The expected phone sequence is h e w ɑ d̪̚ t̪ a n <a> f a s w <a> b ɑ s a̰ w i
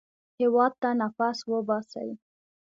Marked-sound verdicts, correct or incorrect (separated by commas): correct, incorrect